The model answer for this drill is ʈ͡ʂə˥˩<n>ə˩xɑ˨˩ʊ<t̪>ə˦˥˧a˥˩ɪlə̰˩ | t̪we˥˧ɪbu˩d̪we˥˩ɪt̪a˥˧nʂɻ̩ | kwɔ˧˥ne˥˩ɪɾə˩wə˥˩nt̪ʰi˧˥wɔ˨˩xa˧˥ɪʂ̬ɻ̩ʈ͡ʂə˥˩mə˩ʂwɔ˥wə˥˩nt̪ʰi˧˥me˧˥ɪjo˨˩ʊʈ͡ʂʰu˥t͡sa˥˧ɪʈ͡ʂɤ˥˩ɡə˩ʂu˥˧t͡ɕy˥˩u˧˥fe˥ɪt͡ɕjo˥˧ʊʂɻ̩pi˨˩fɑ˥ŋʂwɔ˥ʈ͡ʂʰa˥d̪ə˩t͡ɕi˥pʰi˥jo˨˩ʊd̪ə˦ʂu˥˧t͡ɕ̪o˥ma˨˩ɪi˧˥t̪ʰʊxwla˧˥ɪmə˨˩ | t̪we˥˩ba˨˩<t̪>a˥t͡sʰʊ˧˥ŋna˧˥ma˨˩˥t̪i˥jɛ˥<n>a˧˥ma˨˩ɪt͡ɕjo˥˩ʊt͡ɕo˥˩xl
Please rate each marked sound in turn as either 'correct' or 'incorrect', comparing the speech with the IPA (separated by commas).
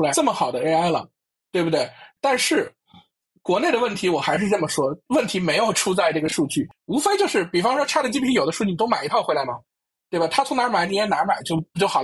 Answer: incorrect, incorrect, incorrect, correct